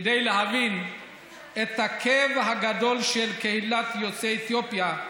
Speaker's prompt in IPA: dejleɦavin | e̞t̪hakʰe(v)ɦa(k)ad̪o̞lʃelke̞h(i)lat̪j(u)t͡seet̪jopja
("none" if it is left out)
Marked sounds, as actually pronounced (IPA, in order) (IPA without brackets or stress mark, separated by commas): v, ɡ, i, o